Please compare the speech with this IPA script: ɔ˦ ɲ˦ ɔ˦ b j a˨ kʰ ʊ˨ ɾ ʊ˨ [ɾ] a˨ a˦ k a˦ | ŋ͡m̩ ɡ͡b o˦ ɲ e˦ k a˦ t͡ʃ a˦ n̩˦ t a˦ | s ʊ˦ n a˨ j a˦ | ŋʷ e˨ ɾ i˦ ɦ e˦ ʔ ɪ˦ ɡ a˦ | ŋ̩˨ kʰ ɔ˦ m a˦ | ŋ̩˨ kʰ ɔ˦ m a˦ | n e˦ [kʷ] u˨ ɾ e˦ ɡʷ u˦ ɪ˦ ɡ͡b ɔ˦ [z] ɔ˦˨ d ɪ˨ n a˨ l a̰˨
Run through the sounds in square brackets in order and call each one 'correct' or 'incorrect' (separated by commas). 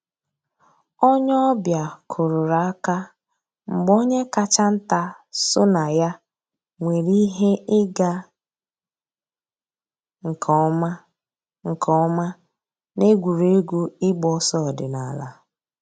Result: correct, incorrect, incorrect